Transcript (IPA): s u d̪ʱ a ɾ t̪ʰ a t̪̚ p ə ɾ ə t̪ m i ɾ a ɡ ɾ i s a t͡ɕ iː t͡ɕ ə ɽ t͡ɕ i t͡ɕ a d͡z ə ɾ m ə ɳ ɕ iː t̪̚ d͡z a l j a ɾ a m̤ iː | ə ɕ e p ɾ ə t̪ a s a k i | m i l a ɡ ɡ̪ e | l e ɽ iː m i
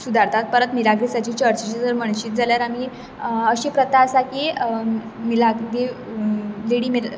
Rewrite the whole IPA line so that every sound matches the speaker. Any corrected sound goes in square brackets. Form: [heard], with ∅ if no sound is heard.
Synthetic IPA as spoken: s u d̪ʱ a ɾ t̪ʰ a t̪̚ p ə ɾ ə t̪ m i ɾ a ɡ ɾ i s a t͡ɕ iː t͡ɕ ə [ɾ] t͡ɕ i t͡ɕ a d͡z ə ɾ m ə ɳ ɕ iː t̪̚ d͡z a l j a ɾ a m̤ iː | ə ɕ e p ɾ ə t̪ a s a k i | m i l a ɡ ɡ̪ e | l e ɽ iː m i